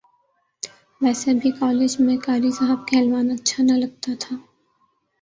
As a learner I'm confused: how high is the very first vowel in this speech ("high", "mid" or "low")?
mid